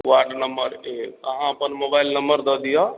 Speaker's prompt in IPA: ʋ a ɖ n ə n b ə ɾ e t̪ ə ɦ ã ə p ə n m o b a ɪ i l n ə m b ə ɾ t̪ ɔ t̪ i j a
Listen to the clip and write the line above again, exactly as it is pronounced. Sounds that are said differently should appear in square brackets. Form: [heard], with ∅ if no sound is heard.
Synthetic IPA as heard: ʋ a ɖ n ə [m] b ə ɾ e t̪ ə ɦ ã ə p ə n m o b a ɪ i l n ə m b ə ɾ [d̪] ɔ [d̪] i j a